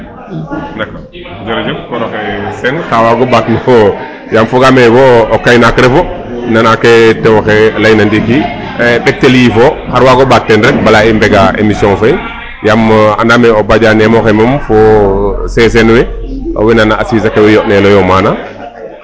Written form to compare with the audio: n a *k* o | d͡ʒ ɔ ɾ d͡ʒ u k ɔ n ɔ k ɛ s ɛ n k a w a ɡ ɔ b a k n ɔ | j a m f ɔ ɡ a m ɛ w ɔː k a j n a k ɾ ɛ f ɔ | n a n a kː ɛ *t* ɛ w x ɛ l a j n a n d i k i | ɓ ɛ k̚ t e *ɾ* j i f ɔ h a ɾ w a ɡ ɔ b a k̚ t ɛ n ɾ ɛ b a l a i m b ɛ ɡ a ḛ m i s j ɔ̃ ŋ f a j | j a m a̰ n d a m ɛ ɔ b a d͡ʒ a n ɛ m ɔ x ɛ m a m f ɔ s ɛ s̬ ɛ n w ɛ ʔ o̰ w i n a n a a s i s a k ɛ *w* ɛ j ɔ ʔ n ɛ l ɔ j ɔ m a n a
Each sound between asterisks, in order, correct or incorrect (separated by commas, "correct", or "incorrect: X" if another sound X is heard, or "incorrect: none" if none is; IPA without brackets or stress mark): correct, correct, incorrect: l, correct